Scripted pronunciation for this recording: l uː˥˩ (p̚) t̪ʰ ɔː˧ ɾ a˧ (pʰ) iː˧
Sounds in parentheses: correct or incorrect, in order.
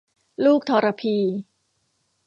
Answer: incorrect: k̚, correct

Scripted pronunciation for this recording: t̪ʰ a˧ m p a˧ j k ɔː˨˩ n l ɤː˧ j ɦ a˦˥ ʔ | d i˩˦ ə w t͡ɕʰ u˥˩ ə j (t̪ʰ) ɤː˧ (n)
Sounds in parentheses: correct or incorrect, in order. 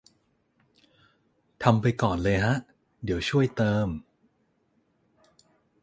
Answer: incorrect: t̪, incorrect: m

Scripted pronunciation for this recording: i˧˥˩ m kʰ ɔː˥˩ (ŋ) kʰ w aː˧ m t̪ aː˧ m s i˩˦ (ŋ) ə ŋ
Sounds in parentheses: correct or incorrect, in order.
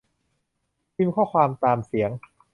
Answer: incorrect: none, incorrect: none

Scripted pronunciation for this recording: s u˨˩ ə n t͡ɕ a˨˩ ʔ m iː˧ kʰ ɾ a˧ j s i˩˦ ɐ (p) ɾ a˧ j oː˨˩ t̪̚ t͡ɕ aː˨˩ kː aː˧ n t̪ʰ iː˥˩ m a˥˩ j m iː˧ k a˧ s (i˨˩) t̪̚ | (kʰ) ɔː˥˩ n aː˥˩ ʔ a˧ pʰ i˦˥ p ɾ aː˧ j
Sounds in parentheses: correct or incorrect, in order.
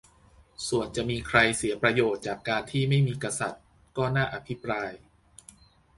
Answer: correct, incorrect: a˨˩, incorrect: k

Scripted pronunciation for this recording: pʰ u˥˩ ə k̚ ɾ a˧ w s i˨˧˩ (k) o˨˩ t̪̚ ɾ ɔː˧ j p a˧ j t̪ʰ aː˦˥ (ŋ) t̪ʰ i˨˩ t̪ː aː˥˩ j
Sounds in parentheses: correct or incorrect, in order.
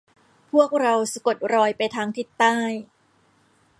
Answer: correct, correct

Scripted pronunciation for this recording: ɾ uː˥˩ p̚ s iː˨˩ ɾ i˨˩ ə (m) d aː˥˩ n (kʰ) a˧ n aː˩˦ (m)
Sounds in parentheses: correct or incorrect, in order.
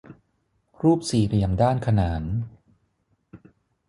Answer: correct, correct, incorrect: n

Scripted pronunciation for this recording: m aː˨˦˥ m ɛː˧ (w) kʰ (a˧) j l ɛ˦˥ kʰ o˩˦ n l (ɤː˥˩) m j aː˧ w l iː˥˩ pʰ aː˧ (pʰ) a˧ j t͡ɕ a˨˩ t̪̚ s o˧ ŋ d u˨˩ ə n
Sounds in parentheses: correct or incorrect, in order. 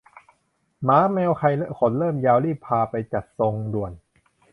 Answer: correct, correct, correct, incorrect: p

